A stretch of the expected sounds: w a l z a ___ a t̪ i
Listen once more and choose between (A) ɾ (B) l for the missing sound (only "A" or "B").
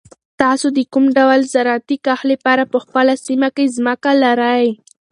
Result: A